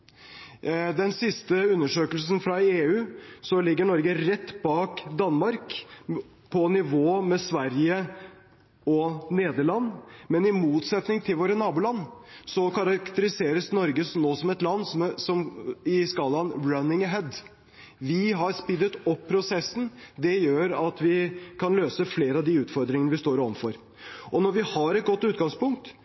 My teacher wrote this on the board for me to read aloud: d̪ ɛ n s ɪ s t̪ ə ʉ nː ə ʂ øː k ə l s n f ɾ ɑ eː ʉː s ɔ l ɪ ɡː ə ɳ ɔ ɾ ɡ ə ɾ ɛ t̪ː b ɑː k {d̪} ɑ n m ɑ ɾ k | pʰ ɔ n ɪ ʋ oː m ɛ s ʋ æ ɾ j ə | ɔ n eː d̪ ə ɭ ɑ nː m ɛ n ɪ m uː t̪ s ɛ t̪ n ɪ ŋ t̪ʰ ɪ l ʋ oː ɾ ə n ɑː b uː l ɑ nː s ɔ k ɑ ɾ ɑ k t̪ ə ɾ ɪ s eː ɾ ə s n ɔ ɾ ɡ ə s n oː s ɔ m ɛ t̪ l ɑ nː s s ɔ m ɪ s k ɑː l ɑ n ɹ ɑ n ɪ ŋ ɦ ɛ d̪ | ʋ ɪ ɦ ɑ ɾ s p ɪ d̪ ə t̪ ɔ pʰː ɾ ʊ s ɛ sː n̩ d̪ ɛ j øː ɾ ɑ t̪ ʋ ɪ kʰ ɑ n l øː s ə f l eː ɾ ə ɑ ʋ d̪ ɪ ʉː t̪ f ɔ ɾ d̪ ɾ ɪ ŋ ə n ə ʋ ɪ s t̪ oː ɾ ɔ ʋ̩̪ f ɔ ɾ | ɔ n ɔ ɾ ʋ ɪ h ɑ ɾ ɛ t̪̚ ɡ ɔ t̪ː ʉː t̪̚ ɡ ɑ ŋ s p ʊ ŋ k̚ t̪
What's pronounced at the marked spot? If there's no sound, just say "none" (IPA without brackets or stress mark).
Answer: d̪